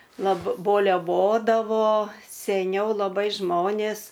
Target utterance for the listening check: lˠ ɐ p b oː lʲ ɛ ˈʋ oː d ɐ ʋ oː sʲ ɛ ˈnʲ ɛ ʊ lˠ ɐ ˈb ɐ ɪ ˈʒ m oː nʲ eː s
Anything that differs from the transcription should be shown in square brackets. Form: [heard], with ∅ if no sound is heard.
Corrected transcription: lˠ ɐ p b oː lʲ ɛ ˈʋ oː d ɐ ʋ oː sʲ ɛ ˈnʲ ɛ ʊ lˠ ɐ ˈb ɐ ɪ ˈʒ m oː nʲ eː s